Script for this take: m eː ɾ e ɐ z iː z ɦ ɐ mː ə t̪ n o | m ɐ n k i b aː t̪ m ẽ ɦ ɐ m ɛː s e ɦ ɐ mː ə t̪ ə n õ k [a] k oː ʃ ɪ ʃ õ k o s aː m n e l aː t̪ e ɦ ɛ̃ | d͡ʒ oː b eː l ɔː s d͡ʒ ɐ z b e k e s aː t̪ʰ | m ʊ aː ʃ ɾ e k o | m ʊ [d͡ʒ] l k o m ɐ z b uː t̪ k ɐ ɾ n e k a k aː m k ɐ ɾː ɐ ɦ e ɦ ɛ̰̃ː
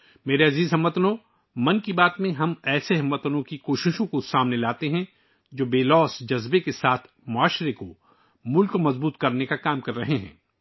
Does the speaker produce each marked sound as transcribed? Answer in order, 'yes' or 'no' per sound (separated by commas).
no, no